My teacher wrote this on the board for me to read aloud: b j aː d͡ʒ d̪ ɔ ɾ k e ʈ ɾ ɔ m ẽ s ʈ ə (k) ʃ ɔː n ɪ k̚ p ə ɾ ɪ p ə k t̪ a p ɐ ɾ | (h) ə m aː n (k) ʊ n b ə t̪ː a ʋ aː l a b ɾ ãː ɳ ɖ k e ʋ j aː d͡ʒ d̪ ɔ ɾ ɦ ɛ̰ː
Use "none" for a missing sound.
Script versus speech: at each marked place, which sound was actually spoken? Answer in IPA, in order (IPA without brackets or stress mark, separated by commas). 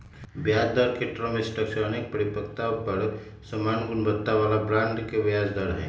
k, s, ɡ